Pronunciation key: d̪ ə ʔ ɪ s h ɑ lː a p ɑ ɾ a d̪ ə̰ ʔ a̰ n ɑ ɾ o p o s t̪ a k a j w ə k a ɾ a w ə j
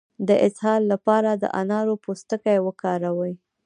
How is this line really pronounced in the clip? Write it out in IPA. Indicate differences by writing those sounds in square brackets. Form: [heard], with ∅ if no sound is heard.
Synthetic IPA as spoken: d̪ ə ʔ ɪ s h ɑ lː a p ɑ ɾ a d̪ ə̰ ʔ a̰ n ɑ ɾ o p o s t̪ [ə] k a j w ə k [ɑ] ɾ a w ə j